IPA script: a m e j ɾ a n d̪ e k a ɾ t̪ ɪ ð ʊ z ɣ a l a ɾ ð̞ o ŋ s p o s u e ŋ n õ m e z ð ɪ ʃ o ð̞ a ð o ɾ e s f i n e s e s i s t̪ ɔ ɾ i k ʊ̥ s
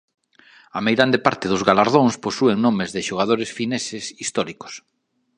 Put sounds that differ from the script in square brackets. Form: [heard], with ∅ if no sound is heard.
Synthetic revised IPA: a m e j ɾ a n d̪ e [p] a ɾ t̪ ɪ ð ʊ z ɣ a l a ɾ ð̞ o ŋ s p o s u e ŋ n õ m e z ð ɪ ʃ o [ɣ̞] a ð o ɾ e s f i n e s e s i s t̪ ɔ ɾ i k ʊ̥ s